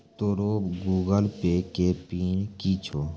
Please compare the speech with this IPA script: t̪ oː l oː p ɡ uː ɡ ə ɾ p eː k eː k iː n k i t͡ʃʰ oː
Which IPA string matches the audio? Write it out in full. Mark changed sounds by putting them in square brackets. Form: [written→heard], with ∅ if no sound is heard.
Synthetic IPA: t̪ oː [l→ɾ] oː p ɡ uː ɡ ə [ɾ→l] p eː k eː [k→p] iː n k i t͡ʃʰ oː